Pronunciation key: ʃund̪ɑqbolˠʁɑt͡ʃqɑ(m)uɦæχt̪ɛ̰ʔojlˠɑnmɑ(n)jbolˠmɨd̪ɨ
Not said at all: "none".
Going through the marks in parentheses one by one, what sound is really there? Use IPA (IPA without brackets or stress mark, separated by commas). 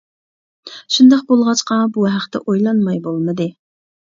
b, none